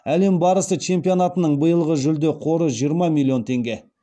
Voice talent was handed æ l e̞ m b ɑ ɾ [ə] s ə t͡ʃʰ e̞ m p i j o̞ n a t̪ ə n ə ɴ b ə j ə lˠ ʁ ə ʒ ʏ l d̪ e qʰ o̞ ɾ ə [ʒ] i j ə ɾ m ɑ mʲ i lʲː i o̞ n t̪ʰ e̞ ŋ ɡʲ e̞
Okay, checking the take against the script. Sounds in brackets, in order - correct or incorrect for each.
correct, correct

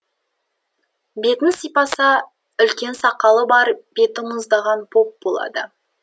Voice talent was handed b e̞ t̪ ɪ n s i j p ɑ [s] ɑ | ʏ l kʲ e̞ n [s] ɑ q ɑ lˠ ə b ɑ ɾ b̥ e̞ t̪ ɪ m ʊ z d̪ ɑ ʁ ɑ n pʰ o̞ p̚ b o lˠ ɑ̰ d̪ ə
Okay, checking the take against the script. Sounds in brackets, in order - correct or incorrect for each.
correct, correct

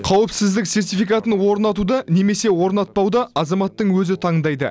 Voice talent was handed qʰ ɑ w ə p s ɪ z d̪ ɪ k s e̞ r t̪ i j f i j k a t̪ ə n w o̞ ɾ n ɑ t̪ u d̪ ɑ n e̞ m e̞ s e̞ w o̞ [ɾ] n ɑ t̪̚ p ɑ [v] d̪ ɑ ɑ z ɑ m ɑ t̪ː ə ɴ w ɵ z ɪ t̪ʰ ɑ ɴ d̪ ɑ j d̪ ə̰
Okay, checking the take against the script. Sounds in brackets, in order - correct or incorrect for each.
correct, incorrect: w

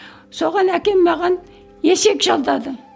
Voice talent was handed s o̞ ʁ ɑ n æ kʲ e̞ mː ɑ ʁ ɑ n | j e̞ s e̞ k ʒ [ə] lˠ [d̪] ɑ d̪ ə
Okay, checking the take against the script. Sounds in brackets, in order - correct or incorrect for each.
incorrect: ɑ, correct

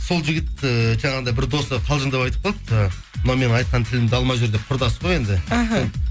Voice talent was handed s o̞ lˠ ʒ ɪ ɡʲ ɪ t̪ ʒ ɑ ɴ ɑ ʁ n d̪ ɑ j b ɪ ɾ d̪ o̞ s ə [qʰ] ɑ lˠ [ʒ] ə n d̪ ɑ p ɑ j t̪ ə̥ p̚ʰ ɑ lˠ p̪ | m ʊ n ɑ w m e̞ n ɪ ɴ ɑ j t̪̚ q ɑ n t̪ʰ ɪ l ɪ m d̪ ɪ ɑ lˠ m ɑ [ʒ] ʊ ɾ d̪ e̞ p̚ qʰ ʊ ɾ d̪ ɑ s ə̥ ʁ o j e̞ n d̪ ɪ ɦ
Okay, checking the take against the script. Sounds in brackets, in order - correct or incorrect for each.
correct, correct, correct

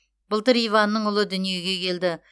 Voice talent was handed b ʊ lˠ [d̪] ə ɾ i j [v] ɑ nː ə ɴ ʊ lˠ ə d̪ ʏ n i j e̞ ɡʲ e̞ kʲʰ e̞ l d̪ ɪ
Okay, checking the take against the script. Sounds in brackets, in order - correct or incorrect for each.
incorrect: t̪, correct

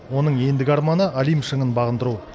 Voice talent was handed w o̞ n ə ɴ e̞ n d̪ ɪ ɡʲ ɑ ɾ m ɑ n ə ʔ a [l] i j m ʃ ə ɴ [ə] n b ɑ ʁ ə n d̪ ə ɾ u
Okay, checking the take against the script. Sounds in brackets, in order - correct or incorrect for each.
correct, correct

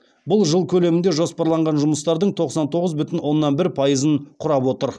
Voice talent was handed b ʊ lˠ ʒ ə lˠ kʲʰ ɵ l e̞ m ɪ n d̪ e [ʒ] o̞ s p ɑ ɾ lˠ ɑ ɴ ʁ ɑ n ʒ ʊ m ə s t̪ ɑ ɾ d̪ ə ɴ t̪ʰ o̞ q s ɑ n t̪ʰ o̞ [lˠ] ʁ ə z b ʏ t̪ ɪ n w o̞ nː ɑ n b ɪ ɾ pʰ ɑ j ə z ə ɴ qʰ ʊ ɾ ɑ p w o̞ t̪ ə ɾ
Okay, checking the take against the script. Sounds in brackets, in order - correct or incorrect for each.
correct, incorrect: none

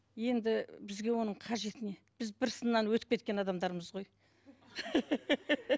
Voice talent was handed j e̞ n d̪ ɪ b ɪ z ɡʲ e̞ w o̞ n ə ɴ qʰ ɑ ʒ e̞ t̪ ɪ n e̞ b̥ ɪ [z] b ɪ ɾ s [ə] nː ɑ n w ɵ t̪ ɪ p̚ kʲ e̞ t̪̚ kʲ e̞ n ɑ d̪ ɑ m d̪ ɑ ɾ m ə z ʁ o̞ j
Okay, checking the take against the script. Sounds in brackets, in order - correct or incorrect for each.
correct, correct

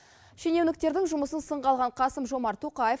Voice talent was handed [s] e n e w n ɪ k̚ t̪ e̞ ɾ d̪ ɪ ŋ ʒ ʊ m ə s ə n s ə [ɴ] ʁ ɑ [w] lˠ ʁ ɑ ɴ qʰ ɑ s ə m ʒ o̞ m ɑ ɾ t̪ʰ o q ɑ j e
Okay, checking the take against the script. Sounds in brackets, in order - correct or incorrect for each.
incorrect: ʃ, correct, incorrect: none

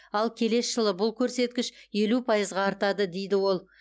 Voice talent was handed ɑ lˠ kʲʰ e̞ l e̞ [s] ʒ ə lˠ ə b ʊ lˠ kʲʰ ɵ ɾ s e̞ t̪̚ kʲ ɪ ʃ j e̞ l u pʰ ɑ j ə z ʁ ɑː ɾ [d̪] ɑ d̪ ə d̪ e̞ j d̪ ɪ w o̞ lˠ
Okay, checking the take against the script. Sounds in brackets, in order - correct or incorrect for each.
correct, incorrect: t̪

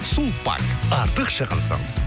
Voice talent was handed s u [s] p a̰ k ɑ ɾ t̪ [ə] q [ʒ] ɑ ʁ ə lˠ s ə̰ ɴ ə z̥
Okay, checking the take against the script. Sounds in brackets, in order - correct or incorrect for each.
incorrect: none, correct, incorrect: ʃ

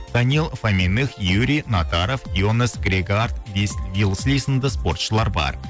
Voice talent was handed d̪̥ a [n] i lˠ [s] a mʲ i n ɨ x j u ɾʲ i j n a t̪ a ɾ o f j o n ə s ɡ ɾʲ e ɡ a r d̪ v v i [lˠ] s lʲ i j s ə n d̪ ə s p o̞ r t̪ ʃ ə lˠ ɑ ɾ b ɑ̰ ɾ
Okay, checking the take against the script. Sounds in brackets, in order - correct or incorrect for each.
correct, incorrect: f, correct

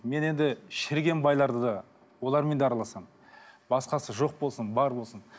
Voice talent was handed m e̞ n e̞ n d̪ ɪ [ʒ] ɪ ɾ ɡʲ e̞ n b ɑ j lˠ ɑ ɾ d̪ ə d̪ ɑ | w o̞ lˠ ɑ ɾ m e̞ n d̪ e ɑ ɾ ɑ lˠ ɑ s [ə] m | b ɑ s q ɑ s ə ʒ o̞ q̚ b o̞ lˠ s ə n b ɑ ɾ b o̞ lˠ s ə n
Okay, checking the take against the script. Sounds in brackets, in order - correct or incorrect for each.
incorrect: ʃ, incorrect: ɑ

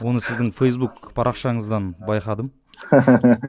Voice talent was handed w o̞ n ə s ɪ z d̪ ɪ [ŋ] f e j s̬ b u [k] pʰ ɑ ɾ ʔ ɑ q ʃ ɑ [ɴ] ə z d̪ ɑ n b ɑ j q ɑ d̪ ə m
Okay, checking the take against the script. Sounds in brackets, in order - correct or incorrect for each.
correct, correct, correct

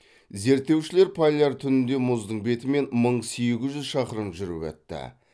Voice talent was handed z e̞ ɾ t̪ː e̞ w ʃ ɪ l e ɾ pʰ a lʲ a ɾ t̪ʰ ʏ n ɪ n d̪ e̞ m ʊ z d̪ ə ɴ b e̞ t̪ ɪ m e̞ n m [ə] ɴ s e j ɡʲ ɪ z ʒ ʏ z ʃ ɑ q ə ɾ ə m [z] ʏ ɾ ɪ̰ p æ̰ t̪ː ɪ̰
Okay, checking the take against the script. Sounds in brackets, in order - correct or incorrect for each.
correct, incorrect: ʒ

